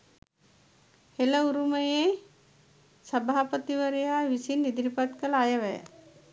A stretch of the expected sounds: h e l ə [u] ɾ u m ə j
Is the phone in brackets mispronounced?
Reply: no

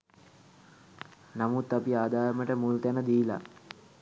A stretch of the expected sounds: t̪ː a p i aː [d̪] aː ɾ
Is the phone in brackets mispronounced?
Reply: no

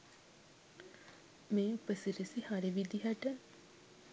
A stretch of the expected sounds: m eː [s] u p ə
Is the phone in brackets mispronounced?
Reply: yes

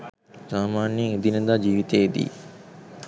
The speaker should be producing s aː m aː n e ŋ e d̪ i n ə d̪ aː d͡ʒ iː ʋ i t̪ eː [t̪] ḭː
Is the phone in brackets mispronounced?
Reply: yes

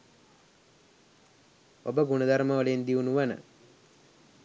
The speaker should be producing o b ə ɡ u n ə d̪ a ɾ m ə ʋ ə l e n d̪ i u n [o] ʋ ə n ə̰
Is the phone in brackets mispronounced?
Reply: yes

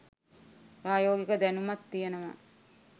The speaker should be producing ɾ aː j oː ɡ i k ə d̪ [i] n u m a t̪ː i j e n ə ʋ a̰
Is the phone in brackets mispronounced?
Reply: yes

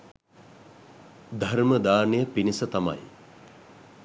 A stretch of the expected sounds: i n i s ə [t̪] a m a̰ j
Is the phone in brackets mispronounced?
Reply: no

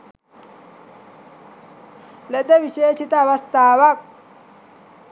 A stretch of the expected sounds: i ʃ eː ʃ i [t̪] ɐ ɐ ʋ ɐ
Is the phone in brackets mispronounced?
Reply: no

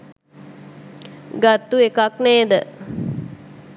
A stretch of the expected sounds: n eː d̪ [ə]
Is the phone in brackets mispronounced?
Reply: no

